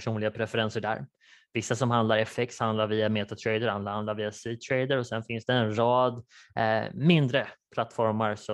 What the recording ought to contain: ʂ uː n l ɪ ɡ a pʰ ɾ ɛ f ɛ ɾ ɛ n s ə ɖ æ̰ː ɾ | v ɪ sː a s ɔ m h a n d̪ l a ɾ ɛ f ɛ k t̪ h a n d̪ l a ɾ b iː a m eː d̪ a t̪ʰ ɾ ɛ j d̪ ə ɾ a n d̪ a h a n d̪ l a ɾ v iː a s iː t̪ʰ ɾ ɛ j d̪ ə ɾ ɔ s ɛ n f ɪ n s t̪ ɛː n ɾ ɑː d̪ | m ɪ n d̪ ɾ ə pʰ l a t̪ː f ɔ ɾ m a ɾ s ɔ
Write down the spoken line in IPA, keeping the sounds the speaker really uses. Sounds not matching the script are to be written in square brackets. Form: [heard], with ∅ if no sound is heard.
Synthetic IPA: ʂ uː n l ɪ ɡ a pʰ ɾ ɛ f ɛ ɾ ɛ n s ə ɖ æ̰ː ɾ | v ɪ sː a s ɔ m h a n d̪ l a ɾ ɛ f ɛ k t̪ h a n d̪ l a ɾ [v] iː a m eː [t̪] a t̪ʰ ɾ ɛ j d̪ ə ɾ a n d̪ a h a n d̪ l a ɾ v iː a s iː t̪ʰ ɾ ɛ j d̪ ə ɾ ɔ s ɛ n f ɪ n s [d̪] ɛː n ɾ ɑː d̪ | m ɪ n d̪ ɾ ə pʰ l a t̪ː f ɔ ɾ m a ɾ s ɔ